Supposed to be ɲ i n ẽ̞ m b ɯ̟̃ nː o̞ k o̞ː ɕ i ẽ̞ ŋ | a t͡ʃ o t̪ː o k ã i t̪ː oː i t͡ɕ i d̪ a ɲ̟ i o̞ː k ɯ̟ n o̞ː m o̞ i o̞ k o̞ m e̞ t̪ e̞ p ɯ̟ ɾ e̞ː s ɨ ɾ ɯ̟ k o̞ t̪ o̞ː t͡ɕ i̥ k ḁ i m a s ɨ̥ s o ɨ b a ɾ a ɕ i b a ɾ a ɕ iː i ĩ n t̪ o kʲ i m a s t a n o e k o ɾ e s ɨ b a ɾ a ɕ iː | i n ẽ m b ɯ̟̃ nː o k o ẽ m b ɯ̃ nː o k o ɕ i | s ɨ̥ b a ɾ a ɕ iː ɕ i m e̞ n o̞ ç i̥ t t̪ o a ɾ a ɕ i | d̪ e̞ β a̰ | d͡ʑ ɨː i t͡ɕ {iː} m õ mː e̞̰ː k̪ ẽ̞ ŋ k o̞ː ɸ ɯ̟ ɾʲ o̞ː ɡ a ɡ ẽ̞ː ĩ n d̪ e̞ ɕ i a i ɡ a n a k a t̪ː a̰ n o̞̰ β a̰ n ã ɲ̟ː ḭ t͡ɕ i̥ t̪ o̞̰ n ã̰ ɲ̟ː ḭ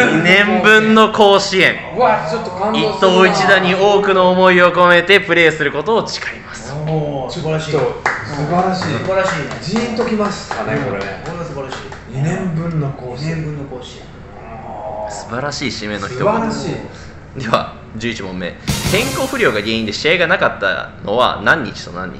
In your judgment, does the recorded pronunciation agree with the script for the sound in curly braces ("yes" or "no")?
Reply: no